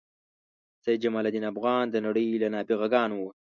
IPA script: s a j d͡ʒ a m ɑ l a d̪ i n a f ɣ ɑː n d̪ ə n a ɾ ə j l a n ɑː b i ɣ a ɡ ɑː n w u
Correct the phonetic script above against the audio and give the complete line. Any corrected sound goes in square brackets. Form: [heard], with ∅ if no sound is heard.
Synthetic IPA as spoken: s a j d͡ʒ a m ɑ l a d̪ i n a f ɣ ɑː n d̪ ə n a [ɽ] ə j l a n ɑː b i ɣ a ɡ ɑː n w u